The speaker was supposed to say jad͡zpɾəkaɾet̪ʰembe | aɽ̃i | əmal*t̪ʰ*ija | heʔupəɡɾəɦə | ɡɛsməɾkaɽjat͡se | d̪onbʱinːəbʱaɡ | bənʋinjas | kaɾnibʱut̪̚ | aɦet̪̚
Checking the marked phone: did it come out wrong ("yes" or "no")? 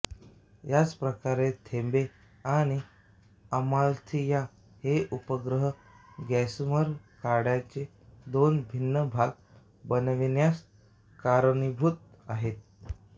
no